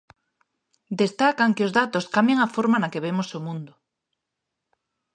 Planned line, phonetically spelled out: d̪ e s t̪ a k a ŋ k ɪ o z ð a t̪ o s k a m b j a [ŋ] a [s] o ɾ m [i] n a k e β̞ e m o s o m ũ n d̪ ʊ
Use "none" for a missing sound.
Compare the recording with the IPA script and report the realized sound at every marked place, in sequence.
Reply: ŋ, f, a

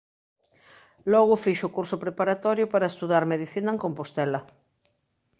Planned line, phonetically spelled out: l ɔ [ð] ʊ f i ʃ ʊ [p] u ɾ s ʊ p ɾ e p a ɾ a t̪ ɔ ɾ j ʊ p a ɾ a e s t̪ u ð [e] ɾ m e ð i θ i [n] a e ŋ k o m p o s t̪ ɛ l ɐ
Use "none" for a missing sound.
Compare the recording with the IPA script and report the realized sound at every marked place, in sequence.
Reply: ɣ, k, a, n

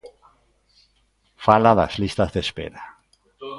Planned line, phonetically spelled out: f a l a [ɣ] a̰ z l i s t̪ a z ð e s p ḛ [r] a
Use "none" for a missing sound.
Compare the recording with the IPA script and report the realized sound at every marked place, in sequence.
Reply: ð, ɾ

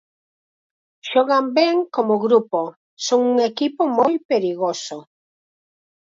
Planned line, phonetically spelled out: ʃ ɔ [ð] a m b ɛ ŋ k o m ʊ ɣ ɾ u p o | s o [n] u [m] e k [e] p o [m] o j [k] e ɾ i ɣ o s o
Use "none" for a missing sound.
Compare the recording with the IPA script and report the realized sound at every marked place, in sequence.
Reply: ɣ, ŋ, ŋ, i, m, p

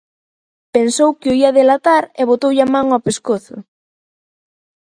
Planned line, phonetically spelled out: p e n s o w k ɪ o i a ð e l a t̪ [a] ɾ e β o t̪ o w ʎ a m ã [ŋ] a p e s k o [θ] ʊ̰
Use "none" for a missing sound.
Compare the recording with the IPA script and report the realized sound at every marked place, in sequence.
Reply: a, ŋ, θ

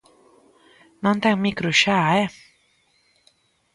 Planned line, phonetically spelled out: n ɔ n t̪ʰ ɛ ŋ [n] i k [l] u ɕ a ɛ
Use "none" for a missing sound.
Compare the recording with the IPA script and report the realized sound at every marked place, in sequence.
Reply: m, ɾ

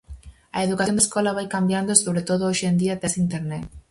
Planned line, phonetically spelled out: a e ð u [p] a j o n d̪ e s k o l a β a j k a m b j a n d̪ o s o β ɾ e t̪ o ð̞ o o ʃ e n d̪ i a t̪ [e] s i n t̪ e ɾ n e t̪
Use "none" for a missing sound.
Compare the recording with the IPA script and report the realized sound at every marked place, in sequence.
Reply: k, e

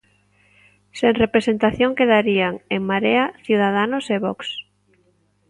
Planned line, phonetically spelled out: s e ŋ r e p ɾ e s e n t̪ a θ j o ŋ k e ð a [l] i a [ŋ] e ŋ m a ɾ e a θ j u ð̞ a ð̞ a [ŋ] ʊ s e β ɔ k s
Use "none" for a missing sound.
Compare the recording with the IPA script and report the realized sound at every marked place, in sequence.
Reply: ɾ, ŋ, n

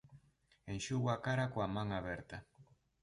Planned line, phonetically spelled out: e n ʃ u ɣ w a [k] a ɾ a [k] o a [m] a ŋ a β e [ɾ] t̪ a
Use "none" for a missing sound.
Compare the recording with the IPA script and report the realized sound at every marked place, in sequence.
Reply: k, k, m, ɾ

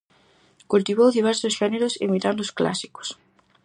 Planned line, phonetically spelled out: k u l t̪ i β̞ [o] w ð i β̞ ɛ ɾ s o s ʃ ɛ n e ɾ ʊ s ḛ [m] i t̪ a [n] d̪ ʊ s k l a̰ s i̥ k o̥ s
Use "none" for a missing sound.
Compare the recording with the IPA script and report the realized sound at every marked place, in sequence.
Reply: o, m, n

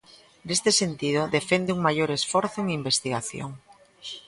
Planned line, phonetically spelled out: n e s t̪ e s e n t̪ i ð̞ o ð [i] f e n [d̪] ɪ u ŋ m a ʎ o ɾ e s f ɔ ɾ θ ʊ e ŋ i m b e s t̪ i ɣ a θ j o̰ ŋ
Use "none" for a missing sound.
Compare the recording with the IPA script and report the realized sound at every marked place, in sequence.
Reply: e, d̪

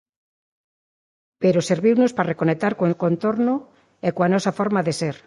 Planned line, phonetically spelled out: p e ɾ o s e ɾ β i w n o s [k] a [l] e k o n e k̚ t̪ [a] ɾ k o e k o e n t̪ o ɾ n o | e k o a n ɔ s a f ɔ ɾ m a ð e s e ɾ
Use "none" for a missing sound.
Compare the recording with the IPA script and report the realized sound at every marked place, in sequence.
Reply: p, r, a

